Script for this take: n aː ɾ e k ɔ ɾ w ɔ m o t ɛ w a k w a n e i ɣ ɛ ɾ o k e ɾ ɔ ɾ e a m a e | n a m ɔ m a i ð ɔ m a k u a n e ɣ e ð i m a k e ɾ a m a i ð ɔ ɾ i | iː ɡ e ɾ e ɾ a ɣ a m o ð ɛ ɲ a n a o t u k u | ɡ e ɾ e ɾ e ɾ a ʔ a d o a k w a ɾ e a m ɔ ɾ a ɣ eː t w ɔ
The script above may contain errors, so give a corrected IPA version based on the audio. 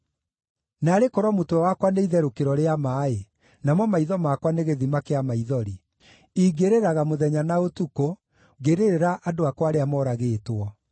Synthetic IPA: n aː ɾ e k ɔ ɾ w ɔ m o t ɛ w a k w a n e i ð ɛ ɾ o k e ɾ ɔ ɾ e a m a e | n a m ɔ m a i ð ɔ m a k w a n e ɣ e ð i m a k e a m a i ð ɔ ɾ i | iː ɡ e ɾ e ɾ a ɣ a m o ð ɛ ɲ a n a o t u k o | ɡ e ɾ e ɾ e ɾ a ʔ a d o a k w a ɾ e a m ɔ ɾ a ɣ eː t w ɔ

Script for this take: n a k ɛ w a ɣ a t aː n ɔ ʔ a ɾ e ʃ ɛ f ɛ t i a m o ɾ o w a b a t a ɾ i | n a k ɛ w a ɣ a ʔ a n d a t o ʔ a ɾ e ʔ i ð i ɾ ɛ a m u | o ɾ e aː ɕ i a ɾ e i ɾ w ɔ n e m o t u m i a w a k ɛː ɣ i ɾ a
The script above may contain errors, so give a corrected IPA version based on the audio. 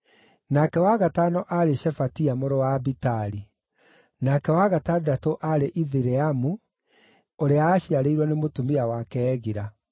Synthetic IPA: n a k ɛ w a ɣ a t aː n ɔ ʔ a ɾ e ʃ ɛ f a t i a m o ɾ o w a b i t a ɾ i | n a k ɛ w a ɣ a t a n d a t o ʔ a ɾ e ʔ i ð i ɾ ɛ a m u | o ɾ e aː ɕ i a ɾ e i ɾ w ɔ n e m o t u m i a w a k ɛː ɣ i ɾ a

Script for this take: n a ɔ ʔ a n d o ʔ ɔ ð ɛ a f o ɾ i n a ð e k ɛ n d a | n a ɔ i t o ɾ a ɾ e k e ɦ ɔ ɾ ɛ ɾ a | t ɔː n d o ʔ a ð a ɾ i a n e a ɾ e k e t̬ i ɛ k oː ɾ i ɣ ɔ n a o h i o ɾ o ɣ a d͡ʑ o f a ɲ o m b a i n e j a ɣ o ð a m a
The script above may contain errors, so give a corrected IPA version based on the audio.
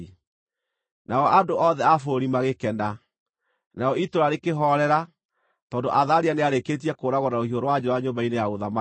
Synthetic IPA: n a ɔ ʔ a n d o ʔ ɔ ð ɛ a f o ɾ i m a ɣ e k ɛ n d a | n a ɔ i t o ɾ a ɾ e k e ɦ ɔ ɾ ɛ ɾ a | t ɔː n d o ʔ a ð a ɾ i a n e a ɾ e k e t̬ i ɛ k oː ɾ a ɣ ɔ n a o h i o ɾ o w a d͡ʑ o a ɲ o m b a i n e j a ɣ o ð a m a

